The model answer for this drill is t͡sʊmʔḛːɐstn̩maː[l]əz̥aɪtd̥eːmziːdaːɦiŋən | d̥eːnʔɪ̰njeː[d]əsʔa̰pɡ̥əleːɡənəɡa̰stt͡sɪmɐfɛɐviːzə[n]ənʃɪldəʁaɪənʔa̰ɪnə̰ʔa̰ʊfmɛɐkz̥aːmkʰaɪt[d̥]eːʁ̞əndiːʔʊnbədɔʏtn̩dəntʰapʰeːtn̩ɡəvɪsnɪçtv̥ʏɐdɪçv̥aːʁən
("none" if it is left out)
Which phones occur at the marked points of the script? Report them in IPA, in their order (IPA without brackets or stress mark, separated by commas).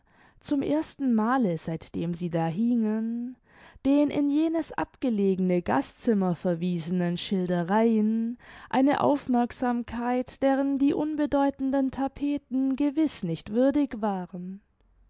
l, n, n, d̥